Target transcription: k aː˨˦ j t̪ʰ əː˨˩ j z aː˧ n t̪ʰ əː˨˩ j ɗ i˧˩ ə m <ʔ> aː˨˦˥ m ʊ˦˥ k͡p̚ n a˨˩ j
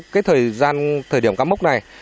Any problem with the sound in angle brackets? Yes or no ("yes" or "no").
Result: yes